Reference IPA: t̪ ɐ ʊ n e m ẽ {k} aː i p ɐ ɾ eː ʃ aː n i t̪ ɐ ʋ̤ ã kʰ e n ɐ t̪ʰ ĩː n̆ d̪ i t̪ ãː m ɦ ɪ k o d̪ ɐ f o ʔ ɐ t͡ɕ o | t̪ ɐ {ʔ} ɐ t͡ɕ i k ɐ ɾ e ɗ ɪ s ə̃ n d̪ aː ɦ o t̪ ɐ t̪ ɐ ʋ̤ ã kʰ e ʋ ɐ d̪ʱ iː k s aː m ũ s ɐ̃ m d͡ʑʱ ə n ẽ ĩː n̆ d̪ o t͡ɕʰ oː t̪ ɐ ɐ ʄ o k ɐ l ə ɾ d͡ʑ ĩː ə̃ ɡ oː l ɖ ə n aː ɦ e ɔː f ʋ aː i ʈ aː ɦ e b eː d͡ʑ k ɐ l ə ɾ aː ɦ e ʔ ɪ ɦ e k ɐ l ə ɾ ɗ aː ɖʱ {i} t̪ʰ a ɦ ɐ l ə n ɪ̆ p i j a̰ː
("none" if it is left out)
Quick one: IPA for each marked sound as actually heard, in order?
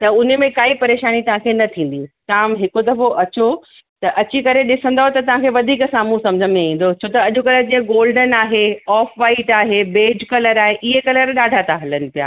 k, ʔ, a

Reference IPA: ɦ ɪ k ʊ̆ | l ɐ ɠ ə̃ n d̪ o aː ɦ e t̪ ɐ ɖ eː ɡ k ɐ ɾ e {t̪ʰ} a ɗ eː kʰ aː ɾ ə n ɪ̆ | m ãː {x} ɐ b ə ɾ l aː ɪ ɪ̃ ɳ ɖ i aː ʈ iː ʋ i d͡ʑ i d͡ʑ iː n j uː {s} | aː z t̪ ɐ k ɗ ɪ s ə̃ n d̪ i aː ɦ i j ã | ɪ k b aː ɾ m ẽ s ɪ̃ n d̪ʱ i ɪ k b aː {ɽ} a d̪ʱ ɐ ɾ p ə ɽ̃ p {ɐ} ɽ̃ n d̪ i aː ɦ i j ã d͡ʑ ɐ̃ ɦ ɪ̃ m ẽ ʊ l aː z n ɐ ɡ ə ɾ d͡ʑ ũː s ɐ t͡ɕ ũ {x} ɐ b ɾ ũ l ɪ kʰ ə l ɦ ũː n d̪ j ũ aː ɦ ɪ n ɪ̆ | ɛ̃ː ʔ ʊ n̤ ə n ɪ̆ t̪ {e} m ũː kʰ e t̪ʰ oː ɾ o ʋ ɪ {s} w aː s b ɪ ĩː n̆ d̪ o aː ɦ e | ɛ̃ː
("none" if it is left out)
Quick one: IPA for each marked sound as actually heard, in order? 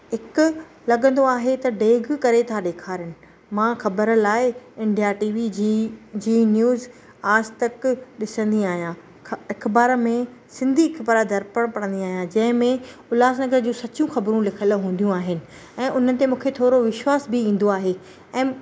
t̪ʰ, x, z, ɾ, ɐ, x, e, ʃ

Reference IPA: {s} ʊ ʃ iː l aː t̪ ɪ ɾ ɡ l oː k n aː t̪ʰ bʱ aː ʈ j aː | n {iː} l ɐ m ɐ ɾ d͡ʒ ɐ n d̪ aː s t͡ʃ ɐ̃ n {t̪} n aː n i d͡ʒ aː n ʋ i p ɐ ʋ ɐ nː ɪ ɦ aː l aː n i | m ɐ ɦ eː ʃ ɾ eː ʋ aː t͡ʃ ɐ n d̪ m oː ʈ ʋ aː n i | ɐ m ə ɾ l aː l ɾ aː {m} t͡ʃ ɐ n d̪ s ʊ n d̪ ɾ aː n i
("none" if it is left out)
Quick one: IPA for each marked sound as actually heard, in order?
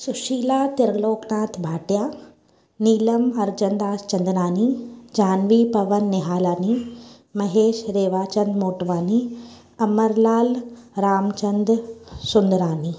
s, iː, d̪, m

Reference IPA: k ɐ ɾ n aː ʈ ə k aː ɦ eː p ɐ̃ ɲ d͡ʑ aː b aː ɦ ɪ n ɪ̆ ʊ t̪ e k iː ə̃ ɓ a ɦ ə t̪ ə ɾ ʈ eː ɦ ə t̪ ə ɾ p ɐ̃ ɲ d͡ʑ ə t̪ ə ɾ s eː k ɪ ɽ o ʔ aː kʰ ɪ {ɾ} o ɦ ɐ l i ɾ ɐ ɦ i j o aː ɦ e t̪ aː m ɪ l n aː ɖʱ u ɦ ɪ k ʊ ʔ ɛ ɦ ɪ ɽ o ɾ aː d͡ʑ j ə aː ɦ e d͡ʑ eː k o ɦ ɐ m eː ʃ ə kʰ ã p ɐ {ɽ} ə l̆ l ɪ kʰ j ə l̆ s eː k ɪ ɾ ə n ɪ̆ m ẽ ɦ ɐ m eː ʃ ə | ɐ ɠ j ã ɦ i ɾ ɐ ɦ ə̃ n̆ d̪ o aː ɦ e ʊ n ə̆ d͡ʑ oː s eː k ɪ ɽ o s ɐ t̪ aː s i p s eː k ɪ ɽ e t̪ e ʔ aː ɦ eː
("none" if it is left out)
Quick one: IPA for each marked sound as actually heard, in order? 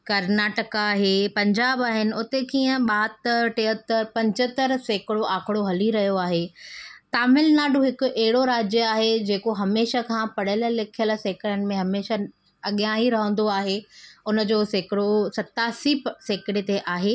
ɽ, ɽ

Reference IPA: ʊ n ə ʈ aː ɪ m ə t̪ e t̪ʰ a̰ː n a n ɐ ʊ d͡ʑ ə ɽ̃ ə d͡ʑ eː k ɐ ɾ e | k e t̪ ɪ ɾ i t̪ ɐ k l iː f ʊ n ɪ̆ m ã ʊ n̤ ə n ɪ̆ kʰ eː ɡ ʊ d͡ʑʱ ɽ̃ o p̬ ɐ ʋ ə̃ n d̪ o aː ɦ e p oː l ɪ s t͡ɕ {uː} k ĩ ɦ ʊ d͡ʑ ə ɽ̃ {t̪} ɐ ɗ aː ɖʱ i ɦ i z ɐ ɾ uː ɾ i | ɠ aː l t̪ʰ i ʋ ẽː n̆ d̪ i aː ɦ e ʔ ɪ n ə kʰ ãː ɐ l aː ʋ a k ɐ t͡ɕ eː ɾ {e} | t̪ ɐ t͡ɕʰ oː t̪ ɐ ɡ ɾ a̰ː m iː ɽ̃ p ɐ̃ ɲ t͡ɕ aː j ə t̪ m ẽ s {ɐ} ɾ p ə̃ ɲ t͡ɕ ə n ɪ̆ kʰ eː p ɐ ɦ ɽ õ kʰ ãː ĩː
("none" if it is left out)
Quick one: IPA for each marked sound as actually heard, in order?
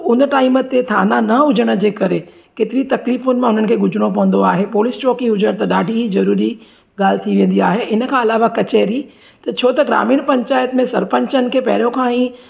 ɔː, t̪, i, ɐ

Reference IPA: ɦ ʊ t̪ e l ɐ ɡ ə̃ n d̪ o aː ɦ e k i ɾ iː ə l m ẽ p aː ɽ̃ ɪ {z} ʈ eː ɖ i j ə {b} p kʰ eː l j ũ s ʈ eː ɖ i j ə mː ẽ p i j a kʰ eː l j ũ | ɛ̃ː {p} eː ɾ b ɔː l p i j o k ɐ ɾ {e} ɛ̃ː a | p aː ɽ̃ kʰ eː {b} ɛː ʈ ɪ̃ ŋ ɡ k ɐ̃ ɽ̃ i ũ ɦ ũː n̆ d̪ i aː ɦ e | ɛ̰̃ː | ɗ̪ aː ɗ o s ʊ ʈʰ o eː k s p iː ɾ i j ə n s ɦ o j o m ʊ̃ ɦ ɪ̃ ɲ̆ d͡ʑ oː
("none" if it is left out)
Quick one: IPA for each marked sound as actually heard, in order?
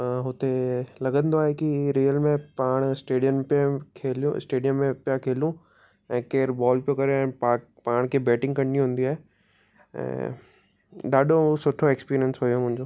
s, m, k, e, b

